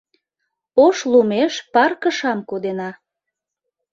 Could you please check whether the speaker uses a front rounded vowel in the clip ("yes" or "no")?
no